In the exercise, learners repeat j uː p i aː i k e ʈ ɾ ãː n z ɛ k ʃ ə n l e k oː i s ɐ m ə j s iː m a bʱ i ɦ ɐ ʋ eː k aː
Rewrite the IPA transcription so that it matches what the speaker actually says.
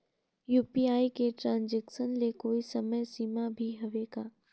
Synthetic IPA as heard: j uː p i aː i k e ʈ ɾ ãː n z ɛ k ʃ ə n l e k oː i s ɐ m ə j s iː m a bʱ i ɦ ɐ ʋ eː ɡ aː